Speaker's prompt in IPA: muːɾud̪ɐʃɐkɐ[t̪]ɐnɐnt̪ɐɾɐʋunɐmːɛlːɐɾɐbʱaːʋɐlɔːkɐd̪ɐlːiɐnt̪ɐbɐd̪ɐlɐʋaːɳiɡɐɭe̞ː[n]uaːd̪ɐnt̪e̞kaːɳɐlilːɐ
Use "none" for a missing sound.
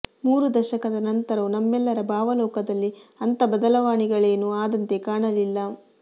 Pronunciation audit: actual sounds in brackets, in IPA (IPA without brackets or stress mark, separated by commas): d̪, n